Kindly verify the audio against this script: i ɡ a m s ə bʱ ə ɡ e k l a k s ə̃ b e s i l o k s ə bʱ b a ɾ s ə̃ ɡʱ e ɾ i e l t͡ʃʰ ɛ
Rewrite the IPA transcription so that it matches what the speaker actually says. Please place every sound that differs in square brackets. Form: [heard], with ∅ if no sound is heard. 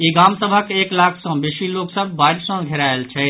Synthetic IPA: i ɡ a m s ə bʱ ə [k] e k l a [kʰ] s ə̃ b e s i l o k s ə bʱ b a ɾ s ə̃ ɡʱ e ɾ [a] e l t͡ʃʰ ɛ